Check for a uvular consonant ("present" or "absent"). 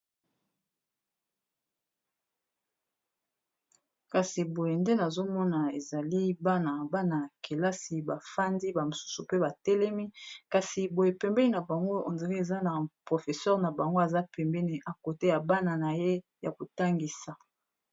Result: present